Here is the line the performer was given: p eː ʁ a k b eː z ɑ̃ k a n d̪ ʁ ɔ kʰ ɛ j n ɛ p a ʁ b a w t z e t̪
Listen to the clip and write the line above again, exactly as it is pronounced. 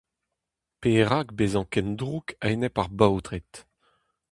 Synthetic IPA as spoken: p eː ʁ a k b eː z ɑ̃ k ɛ n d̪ ʁ u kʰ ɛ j n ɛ p a ʁ b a w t ʁ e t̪

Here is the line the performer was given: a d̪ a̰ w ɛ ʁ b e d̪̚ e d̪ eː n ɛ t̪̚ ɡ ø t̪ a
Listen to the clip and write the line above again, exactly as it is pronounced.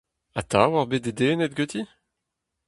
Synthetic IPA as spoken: a t̪ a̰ w a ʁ b e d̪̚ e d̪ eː n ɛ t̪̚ ɡ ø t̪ i

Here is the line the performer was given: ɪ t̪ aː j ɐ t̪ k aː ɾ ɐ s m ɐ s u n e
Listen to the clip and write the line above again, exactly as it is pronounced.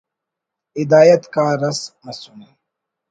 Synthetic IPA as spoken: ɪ d̪ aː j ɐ t̪ k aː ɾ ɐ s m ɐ s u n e

